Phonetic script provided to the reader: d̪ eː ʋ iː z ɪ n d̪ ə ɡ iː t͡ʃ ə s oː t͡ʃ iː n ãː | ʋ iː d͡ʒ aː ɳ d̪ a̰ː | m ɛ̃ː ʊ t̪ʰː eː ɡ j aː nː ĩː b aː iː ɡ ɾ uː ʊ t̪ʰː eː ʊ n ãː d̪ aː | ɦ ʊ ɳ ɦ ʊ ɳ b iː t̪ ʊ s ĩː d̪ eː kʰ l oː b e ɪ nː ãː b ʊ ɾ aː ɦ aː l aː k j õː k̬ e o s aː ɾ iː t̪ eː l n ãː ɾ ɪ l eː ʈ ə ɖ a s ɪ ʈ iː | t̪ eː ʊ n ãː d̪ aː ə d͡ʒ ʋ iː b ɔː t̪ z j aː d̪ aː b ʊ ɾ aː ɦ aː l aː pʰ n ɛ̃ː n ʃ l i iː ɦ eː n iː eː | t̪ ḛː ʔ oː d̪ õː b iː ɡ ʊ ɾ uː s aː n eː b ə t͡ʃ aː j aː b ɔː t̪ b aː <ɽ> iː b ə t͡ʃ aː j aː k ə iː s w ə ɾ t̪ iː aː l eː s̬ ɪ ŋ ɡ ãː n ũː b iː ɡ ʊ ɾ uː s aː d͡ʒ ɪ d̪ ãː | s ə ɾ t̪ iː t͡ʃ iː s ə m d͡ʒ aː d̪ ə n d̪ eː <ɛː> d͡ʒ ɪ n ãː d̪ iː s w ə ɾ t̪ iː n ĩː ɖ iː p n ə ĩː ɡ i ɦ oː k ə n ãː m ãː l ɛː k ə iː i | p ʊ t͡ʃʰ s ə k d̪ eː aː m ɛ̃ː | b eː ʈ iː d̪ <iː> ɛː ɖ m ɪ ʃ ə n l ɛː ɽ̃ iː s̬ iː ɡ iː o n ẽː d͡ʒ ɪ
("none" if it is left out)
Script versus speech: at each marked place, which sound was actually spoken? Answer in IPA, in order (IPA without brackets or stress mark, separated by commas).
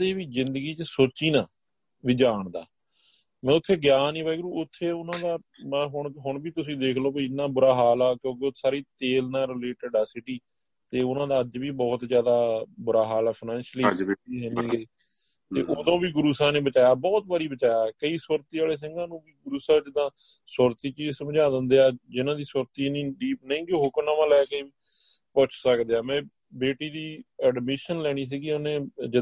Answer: ɾ, aː, iː